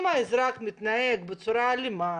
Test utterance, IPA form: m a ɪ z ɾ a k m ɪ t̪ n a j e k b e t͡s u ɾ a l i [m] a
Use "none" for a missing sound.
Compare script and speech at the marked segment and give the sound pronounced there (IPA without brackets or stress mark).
m